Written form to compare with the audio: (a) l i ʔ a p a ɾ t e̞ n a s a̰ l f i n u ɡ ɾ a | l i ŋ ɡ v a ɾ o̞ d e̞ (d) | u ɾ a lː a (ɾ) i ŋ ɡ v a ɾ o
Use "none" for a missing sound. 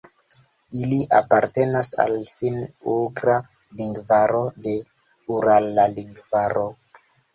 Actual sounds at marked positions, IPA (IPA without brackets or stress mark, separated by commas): i, none, l